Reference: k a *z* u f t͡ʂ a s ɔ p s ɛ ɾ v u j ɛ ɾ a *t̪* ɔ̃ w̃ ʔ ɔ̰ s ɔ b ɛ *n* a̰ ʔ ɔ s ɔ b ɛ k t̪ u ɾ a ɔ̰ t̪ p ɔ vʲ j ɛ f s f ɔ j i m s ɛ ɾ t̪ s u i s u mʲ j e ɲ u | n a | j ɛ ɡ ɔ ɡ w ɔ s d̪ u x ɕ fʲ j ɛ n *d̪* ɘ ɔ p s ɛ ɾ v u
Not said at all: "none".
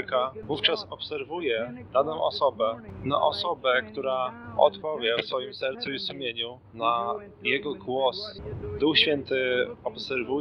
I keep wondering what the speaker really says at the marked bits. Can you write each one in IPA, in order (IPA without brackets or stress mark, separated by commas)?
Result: v, d̪, n, t̪